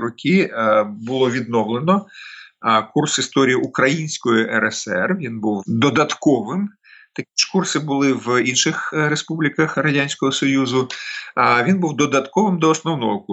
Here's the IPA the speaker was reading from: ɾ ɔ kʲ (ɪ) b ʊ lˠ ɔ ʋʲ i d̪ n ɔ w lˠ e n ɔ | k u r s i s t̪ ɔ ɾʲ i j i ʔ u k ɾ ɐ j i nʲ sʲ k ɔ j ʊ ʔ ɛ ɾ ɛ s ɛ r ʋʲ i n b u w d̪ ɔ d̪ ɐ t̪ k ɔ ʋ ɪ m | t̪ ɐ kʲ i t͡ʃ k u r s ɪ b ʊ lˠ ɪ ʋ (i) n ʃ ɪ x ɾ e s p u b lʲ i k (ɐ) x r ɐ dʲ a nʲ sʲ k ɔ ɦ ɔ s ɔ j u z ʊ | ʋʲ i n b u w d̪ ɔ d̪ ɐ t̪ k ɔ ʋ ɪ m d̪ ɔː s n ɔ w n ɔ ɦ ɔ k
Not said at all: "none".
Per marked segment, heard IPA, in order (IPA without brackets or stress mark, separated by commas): i, i, ɐ